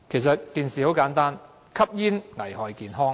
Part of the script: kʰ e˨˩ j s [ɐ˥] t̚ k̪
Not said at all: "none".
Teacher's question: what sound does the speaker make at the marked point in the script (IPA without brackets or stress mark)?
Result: ɐ˨